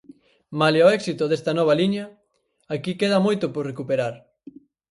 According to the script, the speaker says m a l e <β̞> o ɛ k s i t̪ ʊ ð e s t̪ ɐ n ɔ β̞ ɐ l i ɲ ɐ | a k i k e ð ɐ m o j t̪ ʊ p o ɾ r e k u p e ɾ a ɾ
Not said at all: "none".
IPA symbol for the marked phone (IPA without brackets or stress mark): none